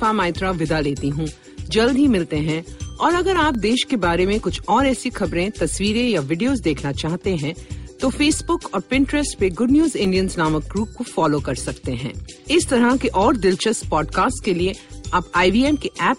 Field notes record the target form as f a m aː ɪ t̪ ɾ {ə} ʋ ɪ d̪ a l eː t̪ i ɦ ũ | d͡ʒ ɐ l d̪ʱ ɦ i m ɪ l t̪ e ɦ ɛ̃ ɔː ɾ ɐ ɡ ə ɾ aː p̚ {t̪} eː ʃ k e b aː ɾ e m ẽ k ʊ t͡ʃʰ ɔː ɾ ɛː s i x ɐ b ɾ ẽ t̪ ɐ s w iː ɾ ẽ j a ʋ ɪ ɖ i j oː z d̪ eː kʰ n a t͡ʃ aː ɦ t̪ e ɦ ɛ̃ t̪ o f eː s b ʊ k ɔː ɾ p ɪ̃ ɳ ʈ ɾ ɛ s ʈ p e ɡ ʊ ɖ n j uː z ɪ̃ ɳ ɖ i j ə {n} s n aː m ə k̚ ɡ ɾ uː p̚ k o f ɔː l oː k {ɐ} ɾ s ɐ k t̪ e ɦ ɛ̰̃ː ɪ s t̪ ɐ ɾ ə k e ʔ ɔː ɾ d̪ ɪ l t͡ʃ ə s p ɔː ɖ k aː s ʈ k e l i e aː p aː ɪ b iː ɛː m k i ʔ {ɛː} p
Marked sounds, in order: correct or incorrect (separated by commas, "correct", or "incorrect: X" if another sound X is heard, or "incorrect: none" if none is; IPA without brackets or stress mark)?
incorrect: a, incorrect: d̪, correct, correct, correct